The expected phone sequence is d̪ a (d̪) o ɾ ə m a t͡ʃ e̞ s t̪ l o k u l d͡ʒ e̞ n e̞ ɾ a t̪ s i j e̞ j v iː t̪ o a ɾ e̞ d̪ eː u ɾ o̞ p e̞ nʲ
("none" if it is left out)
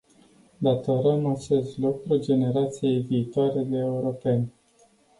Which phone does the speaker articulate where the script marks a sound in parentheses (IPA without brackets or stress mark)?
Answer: t̪